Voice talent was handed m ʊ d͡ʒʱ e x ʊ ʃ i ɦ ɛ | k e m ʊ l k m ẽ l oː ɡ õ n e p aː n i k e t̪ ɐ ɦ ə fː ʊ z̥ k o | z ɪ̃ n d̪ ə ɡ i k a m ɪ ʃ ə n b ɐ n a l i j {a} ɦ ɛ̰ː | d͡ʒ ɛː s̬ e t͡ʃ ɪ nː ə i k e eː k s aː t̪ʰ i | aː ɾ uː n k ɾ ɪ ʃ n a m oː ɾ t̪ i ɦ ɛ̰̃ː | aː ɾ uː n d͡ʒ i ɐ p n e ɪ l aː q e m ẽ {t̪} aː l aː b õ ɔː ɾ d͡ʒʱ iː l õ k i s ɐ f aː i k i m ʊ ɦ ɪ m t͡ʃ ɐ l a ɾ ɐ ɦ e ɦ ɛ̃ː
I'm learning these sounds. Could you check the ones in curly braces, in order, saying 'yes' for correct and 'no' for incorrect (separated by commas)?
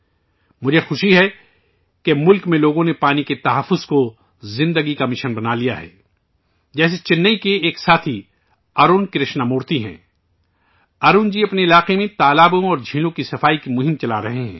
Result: yes, yes